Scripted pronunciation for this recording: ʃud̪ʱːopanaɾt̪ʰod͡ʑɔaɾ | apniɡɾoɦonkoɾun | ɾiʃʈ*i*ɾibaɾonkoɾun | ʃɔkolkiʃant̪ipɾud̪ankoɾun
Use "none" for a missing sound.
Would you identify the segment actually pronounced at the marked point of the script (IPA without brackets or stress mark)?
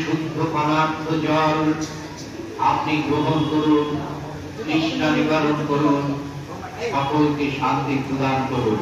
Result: a